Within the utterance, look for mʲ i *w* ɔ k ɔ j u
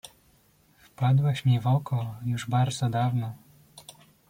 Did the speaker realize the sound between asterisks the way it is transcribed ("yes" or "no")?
no